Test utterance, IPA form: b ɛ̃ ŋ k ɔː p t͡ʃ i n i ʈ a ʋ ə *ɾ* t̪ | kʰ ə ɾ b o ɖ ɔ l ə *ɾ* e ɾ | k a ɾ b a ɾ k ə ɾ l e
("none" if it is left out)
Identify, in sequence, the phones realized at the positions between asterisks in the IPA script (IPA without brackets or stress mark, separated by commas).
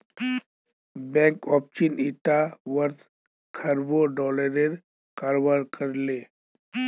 ɾ, ɾ